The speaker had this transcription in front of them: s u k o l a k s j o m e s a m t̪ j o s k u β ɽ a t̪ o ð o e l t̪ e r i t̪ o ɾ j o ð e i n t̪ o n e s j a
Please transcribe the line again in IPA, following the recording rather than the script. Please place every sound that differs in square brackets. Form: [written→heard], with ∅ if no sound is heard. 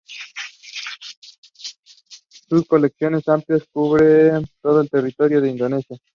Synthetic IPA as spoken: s u k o l [a→e] k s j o [m→n] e s a m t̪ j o s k u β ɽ [a→e] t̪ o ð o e l t̪ e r i t̪ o ɾ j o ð e i n [t̪→d̪] o n e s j a